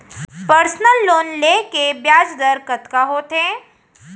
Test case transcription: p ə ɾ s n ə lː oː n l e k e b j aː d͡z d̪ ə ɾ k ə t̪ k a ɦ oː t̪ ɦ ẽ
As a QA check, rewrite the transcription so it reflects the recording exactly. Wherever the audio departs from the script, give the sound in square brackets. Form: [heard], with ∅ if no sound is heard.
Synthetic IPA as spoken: p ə ɾ s n ə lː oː n l e k e b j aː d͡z d̪ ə ɾ k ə t̪ k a ɦ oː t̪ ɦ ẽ